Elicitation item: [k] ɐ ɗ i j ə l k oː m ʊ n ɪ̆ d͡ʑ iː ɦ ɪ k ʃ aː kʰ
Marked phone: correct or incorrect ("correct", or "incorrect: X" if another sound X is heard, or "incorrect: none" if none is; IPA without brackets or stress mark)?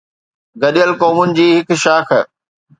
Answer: incorrect: ɡ